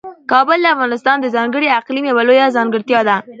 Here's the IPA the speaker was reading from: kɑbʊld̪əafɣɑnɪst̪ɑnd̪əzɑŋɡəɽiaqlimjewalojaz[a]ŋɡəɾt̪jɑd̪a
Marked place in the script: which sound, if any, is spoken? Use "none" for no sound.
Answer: ɑ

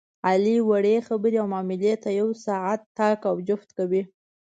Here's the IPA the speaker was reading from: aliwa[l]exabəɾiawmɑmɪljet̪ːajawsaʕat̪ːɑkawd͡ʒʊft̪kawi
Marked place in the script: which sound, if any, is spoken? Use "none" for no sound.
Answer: ɽ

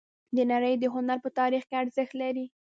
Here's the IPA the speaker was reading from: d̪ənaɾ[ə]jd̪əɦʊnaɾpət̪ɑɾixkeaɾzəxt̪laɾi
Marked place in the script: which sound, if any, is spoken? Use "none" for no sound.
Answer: ə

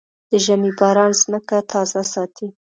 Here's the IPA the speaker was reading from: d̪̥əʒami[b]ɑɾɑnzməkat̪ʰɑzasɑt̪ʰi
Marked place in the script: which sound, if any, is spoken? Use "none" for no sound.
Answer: b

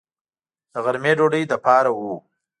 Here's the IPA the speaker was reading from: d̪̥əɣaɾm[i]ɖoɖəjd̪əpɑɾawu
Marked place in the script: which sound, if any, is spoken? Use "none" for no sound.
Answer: e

